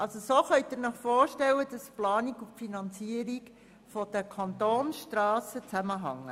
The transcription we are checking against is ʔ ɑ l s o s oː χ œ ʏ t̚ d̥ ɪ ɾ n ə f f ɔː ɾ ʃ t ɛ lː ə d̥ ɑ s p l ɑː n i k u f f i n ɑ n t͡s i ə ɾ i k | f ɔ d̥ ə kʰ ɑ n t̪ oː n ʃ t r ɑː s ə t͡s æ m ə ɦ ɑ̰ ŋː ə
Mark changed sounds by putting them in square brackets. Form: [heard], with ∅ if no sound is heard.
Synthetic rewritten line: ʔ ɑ l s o s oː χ œ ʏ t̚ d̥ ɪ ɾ n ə [χ] f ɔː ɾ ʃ t ɛ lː ə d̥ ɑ s p l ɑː n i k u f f i n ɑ n t͡s i ə ɾ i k | f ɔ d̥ ə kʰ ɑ n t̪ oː n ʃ t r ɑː s ə t͡s æ m ə ɦ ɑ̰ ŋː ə